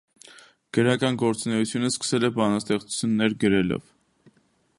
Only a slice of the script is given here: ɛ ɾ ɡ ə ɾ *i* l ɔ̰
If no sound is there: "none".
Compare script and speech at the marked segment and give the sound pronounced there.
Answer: ɛ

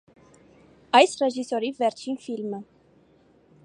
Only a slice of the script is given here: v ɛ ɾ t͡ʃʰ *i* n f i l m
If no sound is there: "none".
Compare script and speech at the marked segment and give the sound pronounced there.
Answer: i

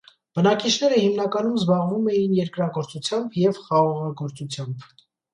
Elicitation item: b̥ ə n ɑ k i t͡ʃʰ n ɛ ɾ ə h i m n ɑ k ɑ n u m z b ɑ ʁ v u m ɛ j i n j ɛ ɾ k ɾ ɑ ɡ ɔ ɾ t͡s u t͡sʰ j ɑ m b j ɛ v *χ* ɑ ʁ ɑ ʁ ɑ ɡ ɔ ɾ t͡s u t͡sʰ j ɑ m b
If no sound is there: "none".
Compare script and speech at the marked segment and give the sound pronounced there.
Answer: χ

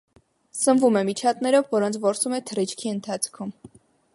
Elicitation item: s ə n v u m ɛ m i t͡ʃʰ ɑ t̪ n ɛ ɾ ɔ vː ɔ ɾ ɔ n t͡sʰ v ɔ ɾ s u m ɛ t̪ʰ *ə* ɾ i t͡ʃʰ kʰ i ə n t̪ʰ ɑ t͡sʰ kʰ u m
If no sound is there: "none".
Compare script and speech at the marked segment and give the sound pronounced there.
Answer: ə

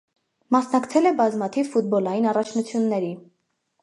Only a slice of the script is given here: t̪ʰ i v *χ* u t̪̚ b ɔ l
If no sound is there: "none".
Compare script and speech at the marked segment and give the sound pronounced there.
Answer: f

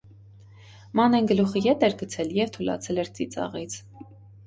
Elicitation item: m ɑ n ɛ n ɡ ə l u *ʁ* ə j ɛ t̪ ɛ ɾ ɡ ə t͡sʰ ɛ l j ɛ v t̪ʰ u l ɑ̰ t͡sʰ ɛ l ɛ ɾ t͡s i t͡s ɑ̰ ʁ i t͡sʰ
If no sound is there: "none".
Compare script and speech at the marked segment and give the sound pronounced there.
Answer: χ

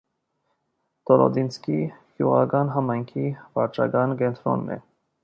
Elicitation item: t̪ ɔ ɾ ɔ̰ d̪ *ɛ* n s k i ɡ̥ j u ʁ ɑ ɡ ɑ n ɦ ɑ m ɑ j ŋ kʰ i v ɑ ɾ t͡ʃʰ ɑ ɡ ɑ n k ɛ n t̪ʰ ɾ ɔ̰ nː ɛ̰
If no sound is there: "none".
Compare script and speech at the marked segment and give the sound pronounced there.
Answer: i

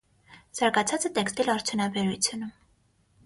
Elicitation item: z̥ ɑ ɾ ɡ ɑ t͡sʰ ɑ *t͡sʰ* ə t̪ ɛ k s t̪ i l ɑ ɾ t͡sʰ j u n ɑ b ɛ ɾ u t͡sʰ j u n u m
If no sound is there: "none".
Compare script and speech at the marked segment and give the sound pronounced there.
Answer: t͡s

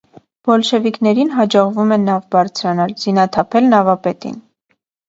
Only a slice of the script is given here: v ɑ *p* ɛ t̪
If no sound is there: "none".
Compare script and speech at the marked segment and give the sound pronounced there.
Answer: p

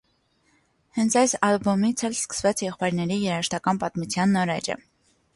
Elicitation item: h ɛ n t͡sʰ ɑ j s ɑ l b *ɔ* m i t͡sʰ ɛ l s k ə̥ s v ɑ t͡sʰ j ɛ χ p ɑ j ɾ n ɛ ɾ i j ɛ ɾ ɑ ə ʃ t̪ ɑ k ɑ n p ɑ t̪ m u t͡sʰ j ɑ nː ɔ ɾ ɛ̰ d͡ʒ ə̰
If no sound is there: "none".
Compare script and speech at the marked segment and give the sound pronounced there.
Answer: ɔ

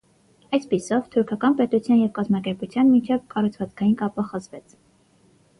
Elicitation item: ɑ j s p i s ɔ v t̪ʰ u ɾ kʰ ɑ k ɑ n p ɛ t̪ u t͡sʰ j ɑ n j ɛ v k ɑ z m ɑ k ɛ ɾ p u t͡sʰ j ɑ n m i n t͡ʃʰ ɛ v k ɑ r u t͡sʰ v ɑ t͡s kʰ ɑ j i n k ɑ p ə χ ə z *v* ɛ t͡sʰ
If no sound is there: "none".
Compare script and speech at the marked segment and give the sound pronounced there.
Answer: v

